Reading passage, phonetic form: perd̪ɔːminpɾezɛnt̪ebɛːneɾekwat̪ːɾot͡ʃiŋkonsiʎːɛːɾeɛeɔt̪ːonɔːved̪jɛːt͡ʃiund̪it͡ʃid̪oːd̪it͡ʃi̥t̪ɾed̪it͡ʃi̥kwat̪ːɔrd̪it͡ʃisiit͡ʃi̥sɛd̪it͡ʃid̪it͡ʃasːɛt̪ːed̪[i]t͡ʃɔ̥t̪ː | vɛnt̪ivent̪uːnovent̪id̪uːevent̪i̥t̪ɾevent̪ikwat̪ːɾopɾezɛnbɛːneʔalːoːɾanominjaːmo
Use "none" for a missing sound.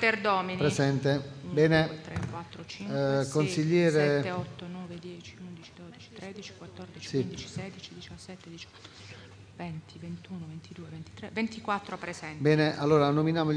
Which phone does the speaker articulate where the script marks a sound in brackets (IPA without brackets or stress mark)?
i